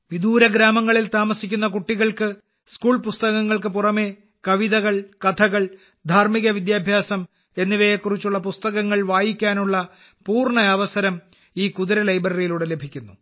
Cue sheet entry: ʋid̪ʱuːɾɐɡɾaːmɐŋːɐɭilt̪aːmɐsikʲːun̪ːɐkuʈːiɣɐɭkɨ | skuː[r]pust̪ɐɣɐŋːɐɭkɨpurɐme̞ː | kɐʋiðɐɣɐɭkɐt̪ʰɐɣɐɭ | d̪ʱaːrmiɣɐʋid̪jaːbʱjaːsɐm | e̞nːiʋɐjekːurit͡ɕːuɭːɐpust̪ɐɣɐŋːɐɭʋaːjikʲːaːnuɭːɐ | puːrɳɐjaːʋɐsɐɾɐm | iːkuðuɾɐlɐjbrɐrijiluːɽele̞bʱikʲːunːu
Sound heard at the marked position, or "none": ɭ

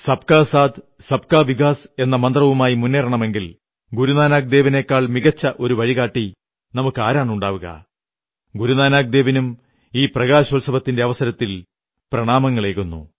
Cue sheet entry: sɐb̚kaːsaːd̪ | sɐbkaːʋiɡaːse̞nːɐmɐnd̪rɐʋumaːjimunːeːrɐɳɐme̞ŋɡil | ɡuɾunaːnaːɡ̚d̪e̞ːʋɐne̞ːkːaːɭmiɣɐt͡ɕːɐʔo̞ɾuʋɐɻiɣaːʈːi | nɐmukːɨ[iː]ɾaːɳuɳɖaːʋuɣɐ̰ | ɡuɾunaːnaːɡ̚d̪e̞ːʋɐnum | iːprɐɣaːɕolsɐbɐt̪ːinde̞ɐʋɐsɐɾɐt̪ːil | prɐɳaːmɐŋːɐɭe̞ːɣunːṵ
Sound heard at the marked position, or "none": aː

